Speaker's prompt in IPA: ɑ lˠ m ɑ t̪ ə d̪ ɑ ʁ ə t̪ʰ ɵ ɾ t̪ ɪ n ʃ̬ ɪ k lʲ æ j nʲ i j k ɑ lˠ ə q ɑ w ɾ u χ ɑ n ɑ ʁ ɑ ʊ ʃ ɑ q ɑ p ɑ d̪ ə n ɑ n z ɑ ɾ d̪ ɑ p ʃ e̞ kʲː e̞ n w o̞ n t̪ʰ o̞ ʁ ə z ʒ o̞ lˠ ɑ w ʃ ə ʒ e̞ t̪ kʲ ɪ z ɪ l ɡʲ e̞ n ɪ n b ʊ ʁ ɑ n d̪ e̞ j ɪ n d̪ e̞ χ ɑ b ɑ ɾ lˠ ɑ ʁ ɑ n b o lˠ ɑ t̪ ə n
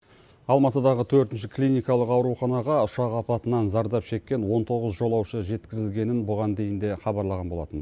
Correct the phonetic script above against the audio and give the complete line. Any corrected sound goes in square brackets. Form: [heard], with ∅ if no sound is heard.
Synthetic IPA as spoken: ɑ lˠ m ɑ t̪ ə d̪ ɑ ʁ ə t̪ʰ ɵ ɾ t̪ ɪ n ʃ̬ ɪ k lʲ [i] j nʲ i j k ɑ lˠ ə q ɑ w ɾ u χ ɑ n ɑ ʁ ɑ ʊ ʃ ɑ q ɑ p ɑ [t̪] ə n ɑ n z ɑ ɾ d̪ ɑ p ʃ e̞ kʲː e̞ n w o̞ n t̪ʰ o̞ ʁ ə z ʒ o̞ lˠ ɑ w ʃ ə ʒ e̞ t̪ kʲ ɪ z ɪ l ɡʲ e̞ n ɪ n b ʊ ʁ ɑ n d̪ e̞ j ɪ n d̪ e̞ χ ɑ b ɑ ɾ lˠ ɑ ʁ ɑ n b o lˠ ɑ t̪ ə n

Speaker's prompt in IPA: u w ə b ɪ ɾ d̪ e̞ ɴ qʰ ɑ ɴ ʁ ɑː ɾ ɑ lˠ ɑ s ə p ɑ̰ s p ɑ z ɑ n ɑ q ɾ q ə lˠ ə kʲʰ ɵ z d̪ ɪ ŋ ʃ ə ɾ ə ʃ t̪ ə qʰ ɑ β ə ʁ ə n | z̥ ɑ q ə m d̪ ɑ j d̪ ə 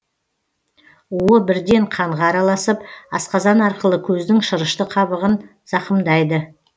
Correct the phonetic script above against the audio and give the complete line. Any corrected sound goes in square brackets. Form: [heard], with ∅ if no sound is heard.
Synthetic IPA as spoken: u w ə b ɪ ɾ d̪ e̞ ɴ qʰ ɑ ɴ ʁ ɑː ɾ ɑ lˠ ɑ s ə p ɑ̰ s [q] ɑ z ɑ n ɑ [∅] ɾ q ə lˠ ə kʲʰ ɵ z d̪ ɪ ŋ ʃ ə ɾ ə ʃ t̪ ə qʰ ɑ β ə ʁ ə n | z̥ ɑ q ə m d̪ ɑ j d̪ ə

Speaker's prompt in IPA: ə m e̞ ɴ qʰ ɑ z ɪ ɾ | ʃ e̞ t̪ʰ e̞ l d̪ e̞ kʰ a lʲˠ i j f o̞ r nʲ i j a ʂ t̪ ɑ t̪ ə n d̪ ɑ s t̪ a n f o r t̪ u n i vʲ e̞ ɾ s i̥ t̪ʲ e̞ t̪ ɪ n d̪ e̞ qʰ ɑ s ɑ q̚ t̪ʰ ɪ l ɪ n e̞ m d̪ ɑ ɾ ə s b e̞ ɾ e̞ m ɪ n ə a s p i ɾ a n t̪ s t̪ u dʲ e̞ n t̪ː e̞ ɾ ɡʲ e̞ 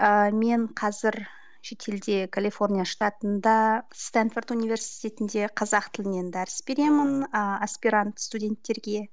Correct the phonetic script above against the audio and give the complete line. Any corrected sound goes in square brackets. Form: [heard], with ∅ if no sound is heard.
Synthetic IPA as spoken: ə m e̞ ɴ qʰ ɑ z ɪ ɾ | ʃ e̞ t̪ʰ e̞ l d̪ e̞ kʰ a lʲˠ i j f o̞ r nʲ i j a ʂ t̪ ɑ t̪ ə n d̪ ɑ s t̪ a n f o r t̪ u n i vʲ e̞ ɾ s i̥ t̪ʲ e̞ t̪ ɪ n d̪ e̞ qʰ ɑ [z] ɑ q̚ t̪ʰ ɪ l ɪ n e̞ [n] d̪ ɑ ɾ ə s b e̞ ɾ e̞ m ɪ n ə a s p i ɾ a n t̪ s t̪ u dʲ e̞ n t̪ː e̞ ɾ ɡʲ e̞

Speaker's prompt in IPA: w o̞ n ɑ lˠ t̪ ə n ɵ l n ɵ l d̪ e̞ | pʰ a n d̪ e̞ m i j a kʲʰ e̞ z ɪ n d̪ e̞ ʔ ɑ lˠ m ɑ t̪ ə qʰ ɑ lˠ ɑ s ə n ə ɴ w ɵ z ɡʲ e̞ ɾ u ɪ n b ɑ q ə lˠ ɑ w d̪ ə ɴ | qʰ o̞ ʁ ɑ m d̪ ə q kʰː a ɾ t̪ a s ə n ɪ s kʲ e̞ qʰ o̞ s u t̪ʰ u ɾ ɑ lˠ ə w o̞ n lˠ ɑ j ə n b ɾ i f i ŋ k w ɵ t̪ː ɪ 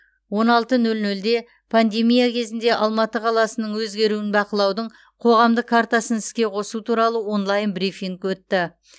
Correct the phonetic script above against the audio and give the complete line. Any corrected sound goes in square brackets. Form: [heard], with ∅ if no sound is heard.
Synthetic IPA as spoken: w o̞ n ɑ lˠ t̪ ə n ɵ l n ɵ l d̪ e̞ | pʰ a n d̪ e̞ m i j a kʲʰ e̞ z ɪ n d̪ e̞ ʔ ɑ lˠ m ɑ t̪ ə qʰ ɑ lˠ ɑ s ə n ə ɴ w ɵ z ɡʲ e̞ ɾ u ɪ n b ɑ q ə lˠ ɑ w d̪ ə ɴ | qʰ o̞ ʁ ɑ m d̪ ə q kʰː a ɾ t̪ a s ə n ɪ s kʲ e̞ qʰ o̞ s u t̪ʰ u ɾ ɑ lˠ ə w o̞ n lˠ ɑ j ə n b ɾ i f i ŋ k w ɵ t̪ː ɪ

